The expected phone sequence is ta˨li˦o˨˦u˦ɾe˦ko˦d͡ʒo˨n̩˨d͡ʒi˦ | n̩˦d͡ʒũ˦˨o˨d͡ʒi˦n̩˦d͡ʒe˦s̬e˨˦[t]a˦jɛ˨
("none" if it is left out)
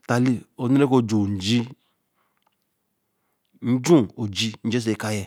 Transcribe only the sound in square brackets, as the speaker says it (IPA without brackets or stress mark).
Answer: k